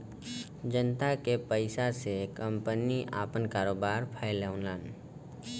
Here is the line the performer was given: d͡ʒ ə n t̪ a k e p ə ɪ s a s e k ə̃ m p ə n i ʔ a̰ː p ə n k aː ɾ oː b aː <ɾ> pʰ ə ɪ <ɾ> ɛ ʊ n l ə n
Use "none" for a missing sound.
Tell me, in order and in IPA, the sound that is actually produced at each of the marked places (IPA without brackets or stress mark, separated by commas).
ɾ, l